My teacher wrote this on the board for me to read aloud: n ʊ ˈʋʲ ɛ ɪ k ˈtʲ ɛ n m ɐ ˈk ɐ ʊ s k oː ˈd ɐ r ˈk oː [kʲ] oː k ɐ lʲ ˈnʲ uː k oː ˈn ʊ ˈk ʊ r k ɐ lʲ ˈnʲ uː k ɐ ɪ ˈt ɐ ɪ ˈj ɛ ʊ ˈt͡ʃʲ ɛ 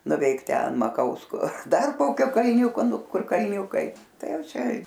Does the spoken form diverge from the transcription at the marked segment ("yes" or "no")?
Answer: no